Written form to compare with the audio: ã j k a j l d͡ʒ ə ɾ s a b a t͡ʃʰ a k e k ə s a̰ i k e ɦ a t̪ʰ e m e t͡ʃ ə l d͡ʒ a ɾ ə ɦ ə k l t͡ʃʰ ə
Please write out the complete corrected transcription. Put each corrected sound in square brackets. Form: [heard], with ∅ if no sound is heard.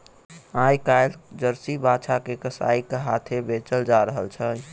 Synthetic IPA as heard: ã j k a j l d͡ʒ ə ɾ s [i] b a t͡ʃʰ a k e k ə s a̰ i k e ɦ a t̪ʰ e [b] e t͡ʃ ə l d͡ʒ a ɾ ə ɦ ə [∅] l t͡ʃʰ ə